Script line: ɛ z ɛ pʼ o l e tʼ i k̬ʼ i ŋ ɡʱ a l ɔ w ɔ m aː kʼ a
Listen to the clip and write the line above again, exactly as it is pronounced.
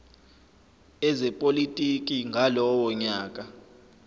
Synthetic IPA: ɛ z ɛ pʼ o l i tʼ i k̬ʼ i ŋ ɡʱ a l ɔ w ɔ ɲ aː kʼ a